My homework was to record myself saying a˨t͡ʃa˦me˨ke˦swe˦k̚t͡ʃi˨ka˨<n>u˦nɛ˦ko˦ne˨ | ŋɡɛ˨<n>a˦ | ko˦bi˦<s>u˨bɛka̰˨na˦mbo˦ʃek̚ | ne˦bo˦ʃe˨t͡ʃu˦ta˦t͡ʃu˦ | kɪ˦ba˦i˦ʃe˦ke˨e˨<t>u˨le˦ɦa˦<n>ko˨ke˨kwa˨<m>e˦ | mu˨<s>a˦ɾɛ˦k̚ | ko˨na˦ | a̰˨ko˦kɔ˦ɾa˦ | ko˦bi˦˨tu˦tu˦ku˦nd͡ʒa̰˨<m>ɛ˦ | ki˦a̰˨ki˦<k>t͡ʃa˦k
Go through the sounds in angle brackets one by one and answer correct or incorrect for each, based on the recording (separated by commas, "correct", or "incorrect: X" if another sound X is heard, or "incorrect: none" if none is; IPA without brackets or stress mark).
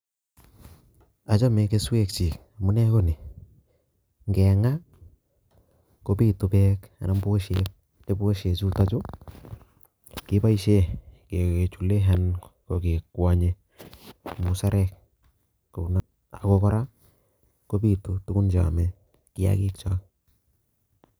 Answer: incorrect: m, incorrect: ŋ, incorrect: t, incorrect: t͡ʃ, correct, incorrect: ɲ, correct, correct, correct